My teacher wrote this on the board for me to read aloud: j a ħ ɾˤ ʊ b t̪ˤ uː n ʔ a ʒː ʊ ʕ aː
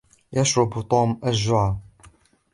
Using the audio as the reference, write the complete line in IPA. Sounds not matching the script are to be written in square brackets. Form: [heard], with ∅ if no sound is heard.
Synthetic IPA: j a [ʃ] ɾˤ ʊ b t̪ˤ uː [m] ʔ a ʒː ʊ ʕ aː